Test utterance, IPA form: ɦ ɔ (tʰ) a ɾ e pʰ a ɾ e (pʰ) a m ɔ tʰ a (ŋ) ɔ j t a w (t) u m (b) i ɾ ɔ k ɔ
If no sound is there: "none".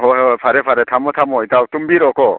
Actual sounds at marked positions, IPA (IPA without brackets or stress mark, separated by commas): pʰ, tʰ, m, t, b